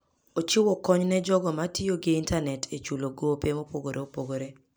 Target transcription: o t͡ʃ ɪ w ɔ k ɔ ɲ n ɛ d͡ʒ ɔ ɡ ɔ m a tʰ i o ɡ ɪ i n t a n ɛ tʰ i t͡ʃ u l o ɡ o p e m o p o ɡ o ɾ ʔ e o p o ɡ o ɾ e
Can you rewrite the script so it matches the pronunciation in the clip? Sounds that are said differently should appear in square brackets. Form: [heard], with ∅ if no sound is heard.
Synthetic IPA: o t͡ʃ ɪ w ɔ k ɔ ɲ n ɛ d͡ʒ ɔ ɡ ɔ m a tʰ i o ɡ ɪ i n t a n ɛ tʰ [e] t͡ʃ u l o ɡ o p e m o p o ɡ o ɾ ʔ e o p o ɡ o ɾ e

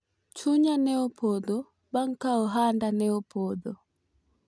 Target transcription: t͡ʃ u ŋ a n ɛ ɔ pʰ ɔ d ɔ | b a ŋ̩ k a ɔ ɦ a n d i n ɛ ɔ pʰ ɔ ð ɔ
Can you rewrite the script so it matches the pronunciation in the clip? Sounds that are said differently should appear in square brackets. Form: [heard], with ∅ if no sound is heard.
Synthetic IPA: t͡ʃ u [ɲ] a n ɛ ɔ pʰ ɔ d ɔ | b a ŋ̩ k a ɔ ɦ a n d [a] n ɛ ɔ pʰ ɔ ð ɔ

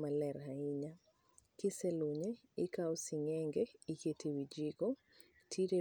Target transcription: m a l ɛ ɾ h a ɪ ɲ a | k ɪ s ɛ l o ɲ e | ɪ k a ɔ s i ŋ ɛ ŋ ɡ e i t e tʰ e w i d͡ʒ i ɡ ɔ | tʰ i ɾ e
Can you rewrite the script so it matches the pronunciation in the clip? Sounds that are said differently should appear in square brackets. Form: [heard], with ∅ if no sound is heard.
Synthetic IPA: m a l ɛ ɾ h a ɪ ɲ a | k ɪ s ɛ l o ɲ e | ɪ k a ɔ s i ŋ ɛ ŋ ɡ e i [k] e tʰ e w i d͡ʒ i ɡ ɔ | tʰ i ɾ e

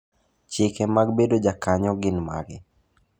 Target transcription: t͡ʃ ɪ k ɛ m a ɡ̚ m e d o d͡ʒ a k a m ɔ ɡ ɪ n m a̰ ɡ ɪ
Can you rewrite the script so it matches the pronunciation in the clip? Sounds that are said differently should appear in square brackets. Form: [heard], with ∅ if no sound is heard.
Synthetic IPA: t͡ʃ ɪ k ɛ m a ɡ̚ [b] e d o d͡ʒ a k a [ɲ] ɔ ɡ ɪ n m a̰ ɡ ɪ

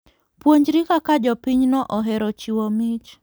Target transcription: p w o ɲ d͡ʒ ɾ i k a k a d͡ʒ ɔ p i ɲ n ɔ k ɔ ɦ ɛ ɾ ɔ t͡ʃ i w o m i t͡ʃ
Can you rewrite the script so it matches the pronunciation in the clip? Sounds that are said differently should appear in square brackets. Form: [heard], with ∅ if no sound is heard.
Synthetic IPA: p w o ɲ d͡ʒ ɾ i k a k a d͡ʒ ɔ p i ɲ n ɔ [ʔ] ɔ ɦ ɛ ɾ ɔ t͡ʃ i w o m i t͡ʃ

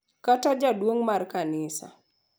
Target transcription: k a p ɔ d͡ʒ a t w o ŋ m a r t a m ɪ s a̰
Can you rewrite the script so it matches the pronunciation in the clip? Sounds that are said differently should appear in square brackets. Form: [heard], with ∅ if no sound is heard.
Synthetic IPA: k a [t] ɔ d͡ʒ a [d] w o ŋ m a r [k] a [n] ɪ s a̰

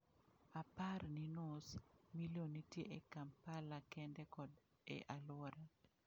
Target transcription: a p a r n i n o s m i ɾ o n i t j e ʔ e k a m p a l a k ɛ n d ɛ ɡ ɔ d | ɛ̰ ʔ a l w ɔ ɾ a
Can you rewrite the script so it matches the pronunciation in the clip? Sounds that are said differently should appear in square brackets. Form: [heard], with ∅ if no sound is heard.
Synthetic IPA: a p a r n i n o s m i [l] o n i t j e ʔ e k a m p a l a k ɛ n d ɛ [k] ɔ d | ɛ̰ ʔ a l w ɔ ɾ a

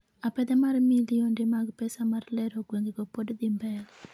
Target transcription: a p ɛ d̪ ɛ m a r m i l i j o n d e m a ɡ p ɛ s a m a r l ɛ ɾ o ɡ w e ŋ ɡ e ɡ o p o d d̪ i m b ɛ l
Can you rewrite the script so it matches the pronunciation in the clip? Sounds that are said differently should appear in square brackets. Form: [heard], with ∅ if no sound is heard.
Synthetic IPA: a p ɛ d̪ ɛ m a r m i l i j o n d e m a ɡ p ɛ s a m a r l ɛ ɾ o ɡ w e ŋ ɡ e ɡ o p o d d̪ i m b ɛ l

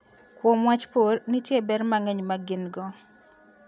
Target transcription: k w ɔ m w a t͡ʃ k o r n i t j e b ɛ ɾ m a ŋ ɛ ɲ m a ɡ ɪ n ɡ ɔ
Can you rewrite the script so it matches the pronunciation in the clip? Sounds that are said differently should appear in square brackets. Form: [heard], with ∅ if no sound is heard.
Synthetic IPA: k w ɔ m w a t͡ʃ [p] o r n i t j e b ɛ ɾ m a ŋ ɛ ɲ m a ɡ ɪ n ɡ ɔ

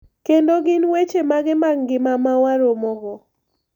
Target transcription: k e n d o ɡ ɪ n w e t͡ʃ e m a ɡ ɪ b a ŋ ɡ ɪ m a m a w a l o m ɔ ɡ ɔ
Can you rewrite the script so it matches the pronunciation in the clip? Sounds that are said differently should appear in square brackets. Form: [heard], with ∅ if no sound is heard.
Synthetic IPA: k e n d o ɡ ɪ n w e t͡ʃ e m a ɡ ɪ [m] a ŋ ɡ ɪ m a m a w a [ɾ] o m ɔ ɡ ɔ

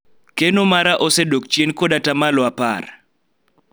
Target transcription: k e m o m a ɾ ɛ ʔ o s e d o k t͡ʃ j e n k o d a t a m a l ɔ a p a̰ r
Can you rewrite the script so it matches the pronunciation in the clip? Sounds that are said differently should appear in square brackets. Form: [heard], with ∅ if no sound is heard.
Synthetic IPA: k e [n] o m a ɾ [a] ʔ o s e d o k t͡ʃ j e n k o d a t a m a l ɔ a p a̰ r

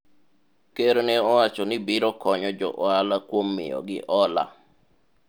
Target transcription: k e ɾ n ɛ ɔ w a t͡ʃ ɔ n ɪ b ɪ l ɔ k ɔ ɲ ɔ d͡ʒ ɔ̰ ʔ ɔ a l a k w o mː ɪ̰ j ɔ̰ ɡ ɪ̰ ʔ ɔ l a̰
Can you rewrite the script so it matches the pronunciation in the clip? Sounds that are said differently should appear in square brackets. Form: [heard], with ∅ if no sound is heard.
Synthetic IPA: k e ɾ n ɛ ɔ w a t͡ʃ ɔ n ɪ b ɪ [ɾ] ɔ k ɔ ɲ ɔ d͡ʒ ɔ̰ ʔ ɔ a l a k w o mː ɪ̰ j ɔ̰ ɡ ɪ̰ ʔ ɔ l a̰

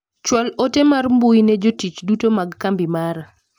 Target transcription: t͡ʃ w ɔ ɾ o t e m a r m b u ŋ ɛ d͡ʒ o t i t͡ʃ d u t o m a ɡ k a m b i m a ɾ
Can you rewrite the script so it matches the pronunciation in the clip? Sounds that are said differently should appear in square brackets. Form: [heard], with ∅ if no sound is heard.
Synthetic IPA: t͡ʃ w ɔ [l] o t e m a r m b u [n] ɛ d͡ʒ o t i t͡ʃ d u t o m a ɡ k a m b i m a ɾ

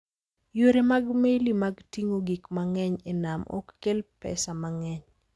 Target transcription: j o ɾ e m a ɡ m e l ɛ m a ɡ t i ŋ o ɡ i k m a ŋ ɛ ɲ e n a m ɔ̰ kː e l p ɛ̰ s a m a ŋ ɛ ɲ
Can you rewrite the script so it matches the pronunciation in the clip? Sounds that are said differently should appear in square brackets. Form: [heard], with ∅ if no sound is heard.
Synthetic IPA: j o ɾ e m a ɡ m e l [i] m a ɡ t i ŋ o ɡ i k m a ŋ ɛ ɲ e n a m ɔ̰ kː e l p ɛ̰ s a m a ŋ ɛ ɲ

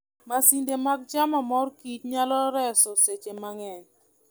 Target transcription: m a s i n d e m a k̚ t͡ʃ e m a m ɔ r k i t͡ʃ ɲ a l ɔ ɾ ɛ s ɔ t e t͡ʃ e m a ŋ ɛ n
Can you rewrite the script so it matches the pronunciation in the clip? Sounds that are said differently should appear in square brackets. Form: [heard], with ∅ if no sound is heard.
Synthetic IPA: m a s i n d e m a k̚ t͡ʃ [a] m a m ɔ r k i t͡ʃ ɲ a l ɔ ɾ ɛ s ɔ [s] e t͡ʃ e m a ŋ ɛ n

